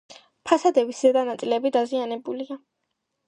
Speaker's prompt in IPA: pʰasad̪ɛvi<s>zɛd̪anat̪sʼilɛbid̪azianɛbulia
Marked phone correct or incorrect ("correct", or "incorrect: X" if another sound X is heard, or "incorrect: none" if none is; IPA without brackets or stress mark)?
correct